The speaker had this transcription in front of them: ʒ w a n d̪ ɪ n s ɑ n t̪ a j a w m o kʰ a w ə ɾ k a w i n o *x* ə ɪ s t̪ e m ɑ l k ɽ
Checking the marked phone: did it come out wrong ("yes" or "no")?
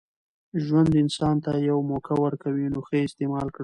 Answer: no